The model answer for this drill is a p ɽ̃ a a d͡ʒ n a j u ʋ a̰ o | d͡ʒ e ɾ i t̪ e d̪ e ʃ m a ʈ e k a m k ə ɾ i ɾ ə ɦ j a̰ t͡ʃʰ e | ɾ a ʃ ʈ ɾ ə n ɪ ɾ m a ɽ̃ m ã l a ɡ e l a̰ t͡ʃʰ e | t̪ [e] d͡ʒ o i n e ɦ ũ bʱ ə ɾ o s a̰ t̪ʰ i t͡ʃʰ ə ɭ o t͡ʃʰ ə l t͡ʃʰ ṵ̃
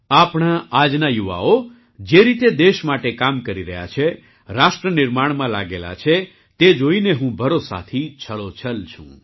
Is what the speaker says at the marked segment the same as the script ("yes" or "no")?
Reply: yes